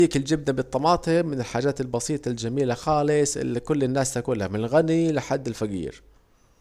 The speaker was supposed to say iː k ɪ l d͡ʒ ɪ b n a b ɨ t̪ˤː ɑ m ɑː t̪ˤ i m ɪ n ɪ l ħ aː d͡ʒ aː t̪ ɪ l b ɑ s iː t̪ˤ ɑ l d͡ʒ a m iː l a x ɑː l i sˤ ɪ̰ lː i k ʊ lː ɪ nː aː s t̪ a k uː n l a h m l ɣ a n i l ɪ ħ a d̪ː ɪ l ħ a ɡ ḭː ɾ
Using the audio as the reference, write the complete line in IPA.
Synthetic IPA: iː k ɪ l d͡ʒ ɪ b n a b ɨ t̪ˤː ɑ m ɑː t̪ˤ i m ɪ n ɪ l ħ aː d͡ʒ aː t̪ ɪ l b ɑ s iː t̪ˤ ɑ l d͡ʒ a m iː l a x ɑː l ɪ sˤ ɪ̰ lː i k ʊ lː ɪ nː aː s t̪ a k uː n l a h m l ɣ a n i l ɪ ħ a d̪ː ɪ l f a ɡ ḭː ɾ